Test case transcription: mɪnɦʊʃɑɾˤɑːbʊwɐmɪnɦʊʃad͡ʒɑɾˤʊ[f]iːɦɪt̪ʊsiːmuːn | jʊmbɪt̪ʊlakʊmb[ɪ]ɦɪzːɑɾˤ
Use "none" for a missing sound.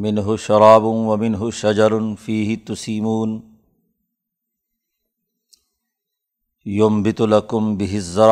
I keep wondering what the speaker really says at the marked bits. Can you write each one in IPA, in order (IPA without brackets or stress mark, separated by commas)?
f, ɪ